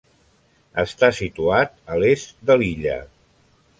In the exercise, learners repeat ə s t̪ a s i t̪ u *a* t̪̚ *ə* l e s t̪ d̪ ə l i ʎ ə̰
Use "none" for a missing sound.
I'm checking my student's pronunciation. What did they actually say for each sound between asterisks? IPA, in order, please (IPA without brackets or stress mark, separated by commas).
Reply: a, ə